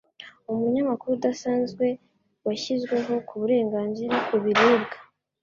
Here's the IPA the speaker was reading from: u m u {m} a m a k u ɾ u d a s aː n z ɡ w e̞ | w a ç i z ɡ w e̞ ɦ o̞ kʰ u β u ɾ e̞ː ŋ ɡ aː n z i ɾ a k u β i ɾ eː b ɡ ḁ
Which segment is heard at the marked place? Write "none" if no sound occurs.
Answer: ɲ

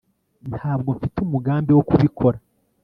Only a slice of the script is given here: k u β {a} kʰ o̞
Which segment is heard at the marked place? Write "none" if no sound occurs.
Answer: i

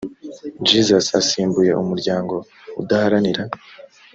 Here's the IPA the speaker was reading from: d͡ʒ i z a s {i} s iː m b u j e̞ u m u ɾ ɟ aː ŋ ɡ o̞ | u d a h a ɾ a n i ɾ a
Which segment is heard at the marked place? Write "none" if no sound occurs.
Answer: a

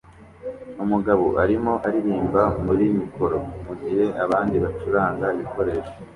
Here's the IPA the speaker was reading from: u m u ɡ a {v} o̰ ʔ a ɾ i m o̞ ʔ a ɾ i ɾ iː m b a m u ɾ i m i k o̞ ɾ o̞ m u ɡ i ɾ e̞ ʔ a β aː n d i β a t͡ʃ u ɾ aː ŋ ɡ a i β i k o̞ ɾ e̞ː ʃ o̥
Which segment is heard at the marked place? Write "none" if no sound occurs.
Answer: β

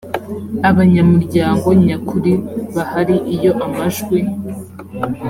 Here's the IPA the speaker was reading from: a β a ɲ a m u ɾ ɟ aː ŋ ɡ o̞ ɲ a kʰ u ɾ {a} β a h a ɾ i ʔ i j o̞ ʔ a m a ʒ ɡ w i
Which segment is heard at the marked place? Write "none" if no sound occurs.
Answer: i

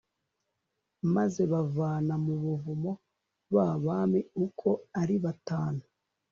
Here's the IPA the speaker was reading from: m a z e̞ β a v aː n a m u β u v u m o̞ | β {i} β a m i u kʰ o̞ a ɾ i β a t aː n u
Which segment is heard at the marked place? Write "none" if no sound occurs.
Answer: a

